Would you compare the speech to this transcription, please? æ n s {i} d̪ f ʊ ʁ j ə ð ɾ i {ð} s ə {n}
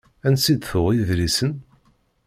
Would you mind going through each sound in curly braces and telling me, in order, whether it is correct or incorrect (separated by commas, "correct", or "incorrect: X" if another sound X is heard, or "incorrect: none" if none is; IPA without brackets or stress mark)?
correct, incorrect: none, correct